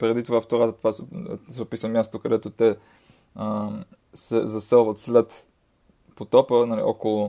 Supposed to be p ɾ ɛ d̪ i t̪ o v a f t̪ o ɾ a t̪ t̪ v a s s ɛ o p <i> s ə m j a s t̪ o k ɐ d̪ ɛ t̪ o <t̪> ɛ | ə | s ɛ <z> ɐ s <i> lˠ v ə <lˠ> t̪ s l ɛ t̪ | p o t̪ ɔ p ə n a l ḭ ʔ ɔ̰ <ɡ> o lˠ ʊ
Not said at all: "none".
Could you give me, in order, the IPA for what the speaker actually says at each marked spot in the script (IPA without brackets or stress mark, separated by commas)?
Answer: i, t̪, z, ɛ, none, k